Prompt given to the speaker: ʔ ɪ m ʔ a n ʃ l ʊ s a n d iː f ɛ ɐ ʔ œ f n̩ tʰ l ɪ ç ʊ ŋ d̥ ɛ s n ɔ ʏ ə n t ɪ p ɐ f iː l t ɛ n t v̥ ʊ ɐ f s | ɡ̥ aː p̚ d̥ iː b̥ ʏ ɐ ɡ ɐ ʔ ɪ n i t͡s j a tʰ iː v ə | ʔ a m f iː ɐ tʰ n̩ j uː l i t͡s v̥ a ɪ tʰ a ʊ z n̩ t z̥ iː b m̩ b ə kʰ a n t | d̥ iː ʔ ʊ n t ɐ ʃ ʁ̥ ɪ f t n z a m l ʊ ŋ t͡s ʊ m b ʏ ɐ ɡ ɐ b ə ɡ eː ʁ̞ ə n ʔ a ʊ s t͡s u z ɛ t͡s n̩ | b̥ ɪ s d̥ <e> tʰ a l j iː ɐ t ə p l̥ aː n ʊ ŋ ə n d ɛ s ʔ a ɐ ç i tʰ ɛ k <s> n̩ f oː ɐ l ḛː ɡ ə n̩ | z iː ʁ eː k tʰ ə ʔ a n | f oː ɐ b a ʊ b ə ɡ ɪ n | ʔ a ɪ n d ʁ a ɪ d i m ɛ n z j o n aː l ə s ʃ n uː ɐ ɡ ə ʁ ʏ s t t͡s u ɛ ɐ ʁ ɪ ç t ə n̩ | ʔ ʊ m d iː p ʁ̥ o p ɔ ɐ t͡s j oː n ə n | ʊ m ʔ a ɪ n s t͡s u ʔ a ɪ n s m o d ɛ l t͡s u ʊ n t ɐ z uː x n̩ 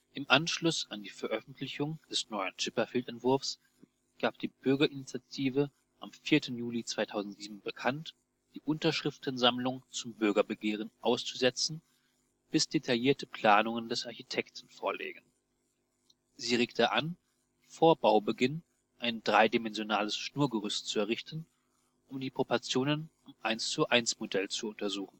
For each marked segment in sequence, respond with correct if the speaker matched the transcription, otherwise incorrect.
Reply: correct, incorrect: t

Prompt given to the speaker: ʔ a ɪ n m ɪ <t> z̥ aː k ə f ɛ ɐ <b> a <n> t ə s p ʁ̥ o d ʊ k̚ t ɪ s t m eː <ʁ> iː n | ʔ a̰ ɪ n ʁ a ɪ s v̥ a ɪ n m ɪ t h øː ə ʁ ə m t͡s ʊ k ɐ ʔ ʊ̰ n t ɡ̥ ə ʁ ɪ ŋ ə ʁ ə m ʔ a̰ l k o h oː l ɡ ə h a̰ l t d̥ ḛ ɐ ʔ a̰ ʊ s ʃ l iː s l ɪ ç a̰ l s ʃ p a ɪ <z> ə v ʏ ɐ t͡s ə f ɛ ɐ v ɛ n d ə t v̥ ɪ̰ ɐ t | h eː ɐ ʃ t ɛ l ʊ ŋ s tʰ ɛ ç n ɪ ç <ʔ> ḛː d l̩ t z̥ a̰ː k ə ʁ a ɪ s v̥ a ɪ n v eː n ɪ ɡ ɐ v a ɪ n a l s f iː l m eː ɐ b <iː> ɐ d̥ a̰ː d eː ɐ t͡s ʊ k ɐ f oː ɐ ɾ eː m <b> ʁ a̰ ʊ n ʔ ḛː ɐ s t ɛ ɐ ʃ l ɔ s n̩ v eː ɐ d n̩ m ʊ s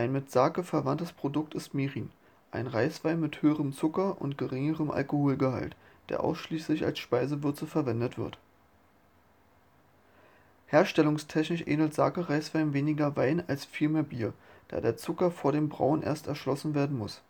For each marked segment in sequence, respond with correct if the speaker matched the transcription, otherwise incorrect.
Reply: correct, incorrect: v, correct, correct, correct, correct, correct, correct

